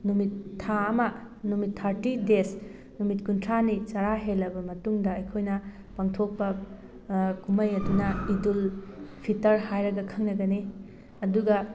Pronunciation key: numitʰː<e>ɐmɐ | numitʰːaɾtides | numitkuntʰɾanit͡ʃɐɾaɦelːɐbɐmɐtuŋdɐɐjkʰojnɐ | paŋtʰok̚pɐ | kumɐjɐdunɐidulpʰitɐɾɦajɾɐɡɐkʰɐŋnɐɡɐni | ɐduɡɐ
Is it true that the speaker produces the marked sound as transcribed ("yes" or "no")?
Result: no